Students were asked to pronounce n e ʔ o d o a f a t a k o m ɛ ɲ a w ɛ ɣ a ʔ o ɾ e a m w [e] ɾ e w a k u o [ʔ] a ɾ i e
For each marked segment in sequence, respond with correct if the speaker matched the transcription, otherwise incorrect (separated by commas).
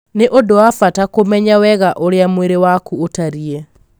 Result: correct, incorrect